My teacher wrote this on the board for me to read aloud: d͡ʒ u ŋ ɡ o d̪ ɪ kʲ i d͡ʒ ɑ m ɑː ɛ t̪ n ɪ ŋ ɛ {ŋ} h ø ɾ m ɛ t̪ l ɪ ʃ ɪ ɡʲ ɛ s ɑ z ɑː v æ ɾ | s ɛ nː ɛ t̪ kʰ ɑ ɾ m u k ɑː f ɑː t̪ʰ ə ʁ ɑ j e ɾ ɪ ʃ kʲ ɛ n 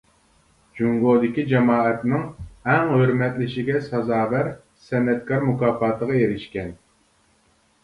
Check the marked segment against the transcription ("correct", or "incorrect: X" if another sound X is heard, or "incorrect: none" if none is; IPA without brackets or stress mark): correct